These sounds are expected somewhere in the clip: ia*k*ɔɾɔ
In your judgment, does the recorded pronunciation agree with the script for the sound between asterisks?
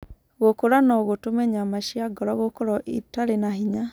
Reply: no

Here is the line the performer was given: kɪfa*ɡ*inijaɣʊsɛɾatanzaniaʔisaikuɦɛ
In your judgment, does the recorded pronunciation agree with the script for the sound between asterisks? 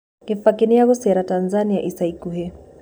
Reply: no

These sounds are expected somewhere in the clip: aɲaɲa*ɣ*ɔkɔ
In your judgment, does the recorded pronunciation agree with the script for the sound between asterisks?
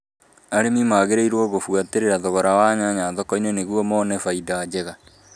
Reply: no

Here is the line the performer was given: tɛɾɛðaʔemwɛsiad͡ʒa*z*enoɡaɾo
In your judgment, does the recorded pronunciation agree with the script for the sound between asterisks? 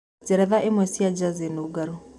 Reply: yes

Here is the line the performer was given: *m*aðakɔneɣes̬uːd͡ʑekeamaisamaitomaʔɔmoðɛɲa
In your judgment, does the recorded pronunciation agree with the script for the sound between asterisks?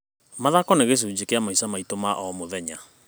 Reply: yes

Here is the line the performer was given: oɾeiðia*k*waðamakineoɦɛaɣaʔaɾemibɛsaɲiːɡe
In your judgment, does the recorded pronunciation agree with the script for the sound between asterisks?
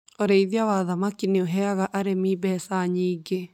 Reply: no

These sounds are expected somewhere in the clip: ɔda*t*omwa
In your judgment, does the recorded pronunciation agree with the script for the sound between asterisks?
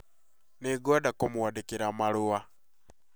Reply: no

